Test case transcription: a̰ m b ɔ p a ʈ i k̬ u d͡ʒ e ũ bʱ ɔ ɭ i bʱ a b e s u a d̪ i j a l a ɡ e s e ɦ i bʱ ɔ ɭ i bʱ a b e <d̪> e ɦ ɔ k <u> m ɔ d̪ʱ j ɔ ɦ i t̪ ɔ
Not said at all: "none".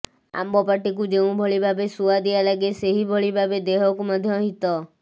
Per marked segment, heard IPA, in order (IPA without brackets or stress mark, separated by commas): d̪, u